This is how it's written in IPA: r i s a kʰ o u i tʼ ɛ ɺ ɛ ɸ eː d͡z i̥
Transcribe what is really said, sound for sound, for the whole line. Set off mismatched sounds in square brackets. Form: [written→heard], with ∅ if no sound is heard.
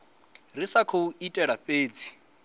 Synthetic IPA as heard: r i s a kʰ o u i tʼ ɛ ɺ [ɛ→a] ɸ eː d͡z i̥